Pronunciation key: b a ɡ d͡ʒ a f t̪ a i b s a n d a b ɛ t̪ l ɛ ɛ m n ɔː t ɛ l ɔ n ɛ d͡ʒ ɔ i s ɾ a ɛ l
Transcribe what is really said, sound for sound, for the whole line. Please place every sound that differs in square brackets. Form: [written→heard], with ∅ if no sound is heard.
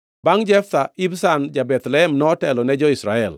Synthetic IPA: b a [ɡ→ŋ] d͡ʒ [a→ɛ] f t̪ a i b s a n [d→d͡ʒ] a b ɛ t̪ l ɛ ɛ m n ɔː t ɛ l ɔ n ɛ d͡ʒ ɔ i s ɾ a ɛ l